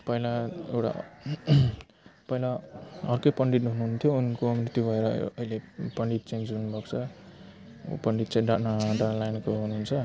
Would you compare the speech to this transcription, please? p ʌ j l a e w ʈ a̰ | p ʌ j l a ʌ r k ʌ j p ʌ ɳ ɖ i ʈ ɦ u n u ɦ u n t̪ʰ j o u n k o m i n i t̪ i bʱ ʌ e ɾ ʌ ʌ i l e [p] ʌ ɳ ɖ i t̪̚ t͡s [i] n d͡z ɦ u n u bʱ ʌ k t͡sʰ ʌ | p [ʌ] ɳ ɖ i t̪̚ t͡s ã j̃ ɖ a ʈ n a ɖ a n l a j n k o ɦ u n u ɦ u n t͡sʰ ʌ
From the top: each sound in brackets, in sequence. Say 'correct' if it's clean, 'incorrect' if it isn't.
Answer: correct, incorrect, correct

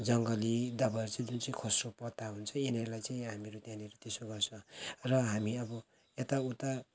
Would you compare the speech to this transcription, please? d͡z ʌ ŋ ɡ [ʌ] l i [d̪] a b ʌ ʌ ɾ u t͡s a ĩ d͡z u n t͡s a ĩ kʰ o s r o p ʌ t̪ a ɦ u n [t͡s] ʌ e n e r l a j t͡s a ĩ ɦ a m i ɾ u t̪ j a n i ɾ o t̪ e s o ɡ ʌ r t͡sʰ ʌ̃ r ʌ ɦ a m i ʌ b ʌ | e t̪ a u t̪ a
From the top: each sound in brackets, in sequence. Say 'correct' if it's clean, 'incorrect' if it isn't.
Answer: correct, correct, incorrect

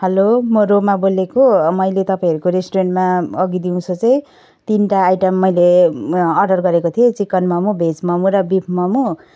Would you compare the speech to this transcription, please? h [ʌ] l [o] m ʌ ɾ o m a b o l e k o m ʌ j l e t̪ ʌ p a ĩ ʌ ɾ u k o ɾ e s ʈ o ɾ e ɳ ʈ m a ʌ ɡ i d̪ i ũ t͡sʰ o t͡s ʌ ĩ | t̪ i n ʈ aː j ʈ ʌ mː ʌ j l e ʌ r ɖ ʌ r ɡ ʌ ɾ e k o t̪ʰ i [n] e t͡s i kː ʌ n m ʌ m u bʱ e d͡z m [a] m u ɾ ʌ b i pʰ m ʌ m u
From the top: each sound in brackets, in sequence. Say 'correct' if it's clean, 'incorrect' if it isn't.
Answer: correct, correct, incorrect, incorrect

